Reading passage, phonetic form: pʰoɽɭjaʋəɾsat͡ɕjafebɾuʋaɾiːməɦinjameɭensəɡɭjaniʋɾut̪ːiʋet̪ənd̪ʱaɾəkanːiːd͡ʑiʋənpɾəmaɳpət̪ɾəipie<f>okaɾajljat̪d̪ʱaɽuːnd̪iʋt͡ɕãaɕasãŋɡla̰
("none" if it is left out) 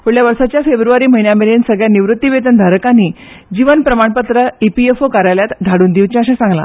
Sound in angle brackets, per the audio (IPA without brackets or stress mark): f